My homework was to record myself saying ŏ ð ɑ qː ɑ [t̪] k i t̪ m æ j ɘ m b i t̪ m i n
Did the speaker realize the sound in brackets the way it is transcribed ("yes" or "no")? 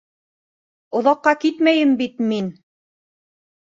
no